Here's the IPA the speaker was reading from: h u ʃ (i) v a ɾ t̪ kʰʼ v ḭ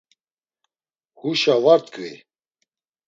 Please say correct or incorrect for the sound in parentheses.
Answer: incorrect